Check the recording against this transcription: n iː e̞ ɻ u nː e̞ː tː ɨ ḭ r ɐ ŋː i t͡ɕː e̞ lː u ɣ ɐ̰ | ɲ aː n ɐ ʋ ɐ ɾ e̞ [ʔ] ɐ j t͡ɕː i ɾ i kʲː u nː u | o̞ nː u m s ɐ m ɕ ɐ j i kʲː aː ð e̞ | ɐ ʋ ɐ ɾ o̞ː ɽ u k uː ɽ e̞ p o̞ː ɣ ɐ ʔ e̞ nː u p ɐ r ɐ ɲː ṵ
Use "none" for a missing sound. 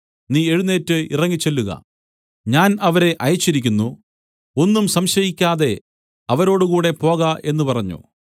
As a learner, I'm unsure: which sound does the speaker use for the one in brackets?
ʔ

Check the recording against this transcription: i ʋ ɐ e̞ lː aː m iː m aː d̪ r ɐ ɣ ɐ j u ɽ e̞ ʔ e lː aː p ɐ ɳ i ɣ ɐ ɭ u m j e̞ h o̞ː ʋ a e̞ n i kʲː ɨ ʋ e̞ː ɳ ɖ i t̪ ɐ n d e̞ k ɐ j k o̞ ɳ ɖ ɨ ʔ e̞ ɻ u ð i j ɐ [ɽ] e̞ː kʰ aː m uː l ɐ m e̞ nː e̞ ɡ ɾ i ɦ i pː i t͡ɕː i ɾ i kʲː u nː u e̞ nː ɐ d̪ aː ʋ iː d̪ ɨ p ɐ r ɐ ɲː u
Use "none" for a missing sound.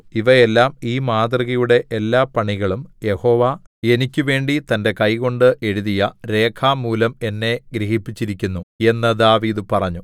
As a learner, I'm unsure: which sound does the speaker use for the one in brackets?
ɾ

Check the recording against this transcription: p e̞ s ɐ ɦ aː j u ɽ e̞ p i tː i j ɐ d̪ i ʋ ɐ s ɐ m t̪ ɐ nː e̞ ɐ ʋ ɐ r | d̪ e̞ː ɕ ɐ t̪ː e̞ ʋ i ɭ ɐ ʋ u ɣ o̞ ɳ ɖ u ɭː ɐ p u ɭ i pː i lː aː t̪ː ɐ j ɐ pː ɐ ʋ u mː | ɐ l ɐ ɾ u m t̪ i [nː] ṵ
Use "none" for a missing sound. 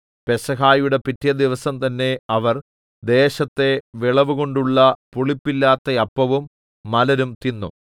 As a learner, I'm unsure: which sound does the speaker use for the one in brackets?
nː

